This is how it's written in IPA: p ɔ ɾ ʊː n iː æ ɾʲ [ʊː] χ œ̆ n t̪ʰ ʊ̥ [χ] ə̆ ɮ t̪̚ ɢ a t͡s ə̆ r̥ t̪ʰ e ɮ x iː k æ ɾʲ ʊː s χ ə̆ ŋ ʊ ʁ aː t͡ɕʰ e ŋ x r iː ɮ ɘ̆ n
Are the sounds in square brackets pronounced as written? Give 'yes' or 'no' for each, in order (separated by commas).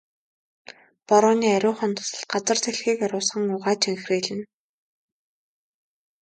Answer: yes, no